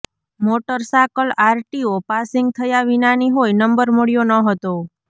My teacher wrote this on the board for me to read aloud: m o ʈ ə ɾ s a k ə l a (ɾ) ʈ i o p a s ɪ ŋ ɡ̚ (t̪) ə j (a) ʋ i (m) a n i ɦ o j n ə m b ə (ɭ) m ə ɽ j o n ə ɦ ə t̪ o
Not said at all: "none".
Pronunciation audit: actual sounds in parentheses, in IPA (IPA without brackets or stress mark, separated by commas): ɾ, t̪ʰ, a, n, ɾ